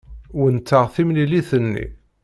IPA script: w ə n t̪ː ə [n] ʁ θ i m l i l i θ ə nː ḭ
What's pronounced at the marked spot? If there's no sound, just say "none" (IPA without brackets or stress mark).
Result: none